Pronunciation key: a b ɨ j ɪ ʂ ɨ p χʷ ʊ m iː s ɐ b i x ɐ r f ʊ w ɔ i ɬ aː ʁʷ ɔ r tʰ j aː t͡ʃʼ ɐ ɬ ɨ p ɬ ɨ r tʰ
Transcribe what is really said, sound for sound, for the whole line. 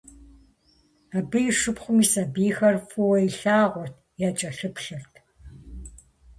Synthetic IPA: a b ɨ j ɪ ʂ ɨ p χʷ ʊ m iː s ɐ b iː x ɐ r f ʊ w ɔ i ɬ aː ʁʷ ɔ r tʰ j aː t͡ʃʼ ɐ ɬ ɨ p ɬ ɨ r tʰ